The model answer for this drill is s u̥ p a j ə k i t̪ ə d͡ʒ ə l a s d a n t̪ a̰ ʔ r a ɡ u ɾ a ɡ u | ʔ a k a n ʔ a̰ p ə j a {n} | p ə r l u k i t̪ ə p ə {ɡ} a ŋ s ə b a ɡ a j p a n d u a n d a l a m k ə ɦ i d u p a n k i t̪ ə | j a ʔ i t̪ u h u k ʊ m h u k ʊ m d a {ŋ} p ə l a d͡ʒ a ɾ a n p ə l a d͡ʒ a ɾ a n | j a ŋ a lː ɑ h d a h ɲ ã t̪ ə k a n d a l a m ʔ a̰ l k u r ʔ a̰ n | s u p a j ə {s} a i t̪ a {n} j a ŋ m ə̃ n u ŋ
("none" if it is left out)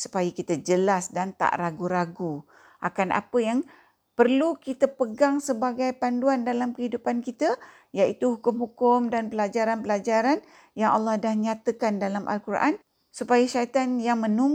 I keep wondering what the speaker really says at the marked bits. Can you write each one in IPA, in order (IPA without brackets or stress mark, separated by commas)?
ŋ, ɡ, n, ʃ, n